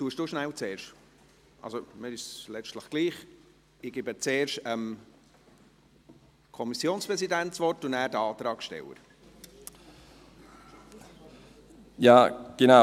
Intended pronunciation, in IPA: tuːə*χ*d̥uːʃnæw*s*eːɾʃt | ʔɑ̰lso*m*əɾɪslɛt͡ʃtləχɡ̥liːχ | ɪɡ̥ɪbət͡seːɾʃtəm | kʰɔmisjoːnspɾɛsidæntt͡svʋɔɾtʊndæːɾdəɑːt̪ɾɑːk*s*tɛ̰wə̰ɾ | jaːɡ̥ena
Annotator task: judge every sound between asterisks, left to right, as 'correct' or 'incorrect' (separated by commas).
incorrect, incorrect, correct, incorrect